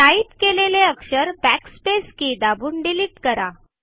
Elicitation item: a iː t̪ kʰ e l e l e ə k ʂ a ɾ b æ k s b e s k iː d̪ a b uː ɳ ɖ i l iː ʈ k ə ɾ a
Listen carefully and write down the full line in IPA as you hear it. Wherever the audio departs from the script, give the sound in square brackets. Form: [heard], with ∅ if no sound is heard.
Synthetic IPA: a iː t̪ [k] e l e l e ə k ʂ [ə] ɾ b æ k s [p] e s k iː d̪ a b uː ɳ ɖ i l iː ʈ k ə ɾ a